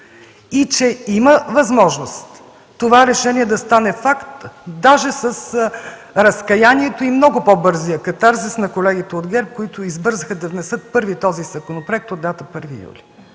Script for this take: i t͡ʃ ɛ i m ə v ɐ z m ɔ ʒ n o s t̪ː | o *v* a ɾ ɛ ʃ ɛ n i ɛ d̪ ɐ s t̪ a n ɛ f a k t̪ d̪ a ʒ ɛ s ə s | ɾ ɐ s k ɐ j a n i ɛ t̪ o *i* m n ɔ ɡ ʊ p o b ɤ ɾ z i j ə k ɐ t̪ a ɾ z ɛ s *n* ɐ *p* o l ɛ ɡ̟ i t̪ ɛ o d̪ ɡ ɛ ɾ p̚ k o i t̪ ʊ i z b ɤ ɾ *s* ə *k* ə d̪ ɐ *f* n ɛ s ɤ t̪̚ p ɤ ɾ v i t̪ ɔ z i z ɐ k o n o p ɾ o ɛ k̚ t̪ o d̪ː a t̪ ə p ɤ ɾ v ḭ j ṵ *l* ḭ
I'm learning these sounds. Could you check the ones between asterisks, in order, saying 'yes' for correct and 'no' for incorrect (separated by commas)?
yes, yes, yes, no, no, no, no, yes